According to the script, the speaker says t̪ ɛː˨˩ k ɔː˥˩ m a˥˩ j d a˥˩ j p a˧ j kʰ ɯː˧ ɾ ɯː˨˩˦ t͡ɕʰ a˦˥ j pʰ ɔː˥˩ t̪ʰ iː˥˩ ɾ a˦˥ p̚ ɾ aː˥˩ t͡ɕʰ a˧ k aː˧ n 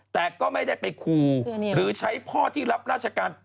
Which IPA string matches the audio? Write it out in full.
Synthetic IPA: t̪ ɛː˨˩ k ɔː˥˩ m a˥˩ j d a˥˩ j p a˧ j kʰ uː˧ ɾ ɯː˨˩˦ t͡ɕʰ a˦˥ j pʰ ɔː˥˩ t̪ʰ iː˥˩ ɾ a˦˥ p̚ ɾ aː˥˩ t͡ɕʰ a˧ k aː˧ n

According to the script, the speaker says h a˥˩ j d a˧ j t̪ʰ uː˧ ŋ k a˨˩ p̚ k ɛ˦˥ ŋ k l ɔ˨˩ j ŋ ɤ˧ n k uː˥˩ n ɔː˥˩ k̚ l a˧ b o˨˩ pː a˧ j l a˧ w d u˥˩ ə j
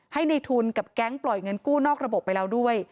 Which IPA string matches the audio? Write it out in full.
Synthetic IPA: h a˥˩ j n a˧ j t̪ʰ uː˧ n k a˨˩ p̚ k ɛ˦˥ ŋ p l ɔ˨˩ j ŋ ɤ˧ n k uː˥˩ n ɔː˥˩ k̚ ɾ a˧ b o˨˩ pː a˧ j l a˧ w d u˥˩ ə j

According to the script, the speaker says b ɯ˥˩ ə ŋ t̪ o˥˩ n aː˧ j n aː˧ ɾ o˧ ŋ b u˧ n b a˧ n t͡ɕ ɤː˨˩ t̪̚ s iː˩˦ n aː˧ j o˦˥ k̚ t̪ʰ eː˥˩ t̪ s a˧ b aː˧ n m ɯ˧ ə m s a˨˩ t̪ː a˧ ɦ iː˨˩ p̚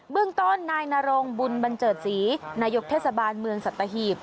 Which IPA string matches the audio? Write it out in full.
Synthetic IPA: b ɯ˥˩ ə ŋ t̪ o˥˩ nː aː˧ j n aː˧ ɾ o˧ ŋ b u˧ n b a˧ n t͡ɕ ɤː˨˩ t̪̚ s iː˩˦ n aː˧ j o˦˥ k̚ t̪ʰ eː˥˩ t̪ s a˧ b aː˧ n m ɯ˧ ə ŋ s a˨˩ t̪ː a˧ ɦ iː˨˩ p̚

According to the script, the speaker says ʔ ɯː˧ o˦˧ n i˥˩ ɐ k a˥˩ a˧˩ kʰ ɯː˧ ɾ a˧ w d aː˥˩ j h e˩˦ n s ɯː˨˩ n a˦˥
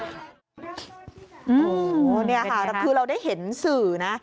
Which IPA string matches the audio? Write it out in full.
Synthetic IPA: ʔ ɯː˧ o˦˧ n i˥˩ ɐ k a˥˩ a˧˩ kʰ ɯː˧ ɾ a˧ w d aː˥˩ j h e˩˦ n s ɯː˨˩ n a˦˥

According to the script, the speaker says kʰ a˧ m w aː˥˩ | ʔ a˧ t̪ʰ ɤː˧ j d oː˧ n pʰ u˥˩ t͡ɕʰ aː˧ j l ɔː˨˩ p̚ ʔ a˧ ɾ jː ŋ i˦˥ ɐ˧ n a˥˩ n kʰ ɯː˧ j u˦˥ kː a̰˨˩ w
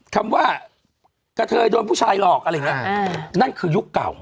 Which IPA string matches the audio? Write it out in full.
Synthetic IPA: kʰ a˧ m w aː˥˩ | k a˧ t̪ʰ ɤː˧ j d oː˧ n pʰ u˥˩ t͡ɕʰ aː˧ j l ɔː˨˩ k̚ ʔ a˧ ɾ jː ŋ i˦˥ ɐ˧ n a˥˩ n kʰ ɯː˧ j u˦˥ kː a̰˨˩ w

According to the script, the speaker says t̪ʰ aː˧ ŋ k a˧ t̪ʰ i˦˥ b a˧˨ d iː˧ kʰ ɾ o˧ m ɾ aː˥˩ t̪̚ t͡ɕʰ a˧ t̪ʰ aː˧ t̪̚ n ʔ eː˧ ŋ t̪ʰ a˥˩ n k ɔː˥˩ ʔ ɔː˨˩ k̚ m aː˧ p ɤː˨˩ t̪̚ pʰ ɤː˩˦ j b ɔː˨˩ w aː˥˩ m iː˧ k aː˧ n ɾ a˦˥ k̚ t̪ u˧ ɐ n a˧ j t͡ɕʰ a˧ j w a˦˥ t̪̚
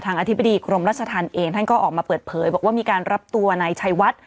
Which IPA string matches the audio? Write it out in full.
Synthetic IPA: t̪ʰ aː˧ ŋ ʔ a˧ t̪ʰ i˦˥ b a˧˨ d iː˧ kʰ ɾ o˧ m ɾ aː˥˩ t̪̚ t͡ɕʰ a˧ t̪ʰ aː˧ n ʔ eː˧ ŋ t̪ʰ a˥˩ n k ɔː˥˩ ʔ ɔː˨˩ k̚ m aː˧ p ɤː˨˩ t̪̚ pʰ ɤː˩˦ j b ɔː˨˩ w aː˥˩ m iː˧ k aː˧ n ɾ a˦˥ p̚ t̪ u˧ ɐ n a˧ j t͡ɕʰ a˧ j w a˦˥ t̪̚

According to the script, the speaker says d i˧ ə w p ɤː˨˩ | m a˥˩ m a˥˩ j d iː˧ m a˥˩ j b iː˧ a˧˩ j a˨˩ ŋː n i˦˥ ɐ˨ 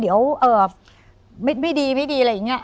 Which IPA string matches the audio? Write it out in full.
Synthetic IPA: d i˩˦ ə w ʔ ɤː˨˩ | m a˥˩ m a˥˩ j d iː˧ m a˥˩ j d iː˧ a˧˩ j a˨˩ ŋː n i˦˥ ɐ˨

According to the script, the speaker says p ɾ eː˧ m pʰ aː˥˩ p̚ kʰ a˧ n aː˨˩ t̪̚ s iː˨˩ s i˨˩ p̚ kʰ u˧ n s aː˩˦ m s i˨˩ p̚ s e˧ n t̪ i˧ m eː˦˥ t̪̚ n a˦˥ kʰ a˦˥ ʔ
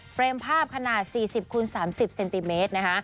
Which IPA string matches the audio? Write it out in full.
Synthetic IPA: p ɾ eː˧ m pʰ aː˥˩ p̚ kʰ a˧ n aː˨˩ t̪̚ s iː˨˩ s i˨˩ p̚ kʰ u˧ n s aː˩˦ m s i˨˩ p̚ s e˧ n t̪ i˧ m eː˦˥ t̪̚ n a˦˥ kʰ a˦˥ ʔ

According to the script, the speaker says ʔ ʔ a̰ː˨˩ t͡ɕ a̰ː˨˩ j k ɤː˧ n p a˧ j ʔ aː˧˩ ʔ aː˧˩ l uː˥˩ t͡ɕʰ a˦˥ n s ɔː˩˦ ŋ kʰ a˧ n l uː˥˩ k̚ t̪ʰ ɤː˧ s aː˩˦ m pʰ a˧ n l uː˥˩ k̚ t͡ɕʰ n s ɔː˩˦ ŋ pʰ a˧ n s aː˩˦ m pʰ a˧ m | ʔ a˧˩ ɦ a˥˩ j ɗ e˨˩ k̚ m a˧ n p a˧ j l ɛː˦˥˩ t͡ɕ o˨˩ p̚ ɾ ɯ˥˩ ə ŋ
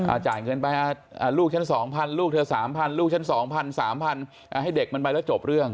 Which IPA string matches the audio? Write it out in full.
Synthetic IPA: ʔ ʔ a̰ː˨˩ t͡ɕ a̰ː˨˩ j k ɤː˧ n p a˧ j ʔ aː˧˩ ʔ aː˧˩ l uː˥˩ t͡ɕʰ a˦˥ n s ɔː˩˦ ŋ pʰ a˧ n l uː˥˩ k̚ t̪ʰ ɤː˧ s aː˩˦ m pʰ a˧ n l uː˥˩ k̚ t͡ɕʰ n s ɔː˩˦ ŋ pʰ a˧ n s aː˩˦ m pʰ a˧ n | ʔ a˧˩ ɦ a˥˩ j d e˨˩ k̚ m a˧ n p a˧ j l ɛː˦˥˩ t͡ɕ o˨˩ p̚ ɾ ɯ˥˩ ə ŋ

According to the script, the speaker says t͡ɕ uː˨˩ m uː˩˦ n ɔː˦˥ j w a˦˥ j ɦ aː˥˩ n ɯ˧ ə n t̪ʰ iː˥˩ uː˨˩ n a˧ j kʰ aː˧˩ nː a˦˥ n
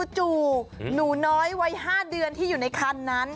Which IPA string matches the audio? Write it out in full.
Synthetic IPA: t͡ɕ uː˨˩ n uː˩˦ n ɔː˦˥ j w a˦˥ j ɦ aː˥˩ d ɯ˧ ə n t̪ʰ iː˥˩ uː˨˩ n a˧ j kʰ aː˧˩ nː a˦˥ n

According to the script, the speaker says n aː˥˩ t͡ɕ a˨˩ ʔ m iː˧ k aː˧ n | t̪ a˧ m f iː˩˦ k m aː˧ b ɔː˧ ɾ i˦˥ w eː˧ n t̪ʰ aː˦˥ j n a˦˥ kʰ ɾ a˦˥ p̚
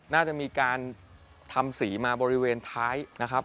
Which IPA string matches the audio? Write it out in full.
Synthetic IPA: n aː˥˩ t͡ɕ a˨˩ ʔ m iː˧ k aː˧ n | t̪ʰ a˧ m s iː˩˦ m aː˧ b ɔː˧ ɾ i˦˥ w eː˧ n t̪ʰ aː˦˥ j n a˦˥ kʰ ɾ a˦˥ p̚

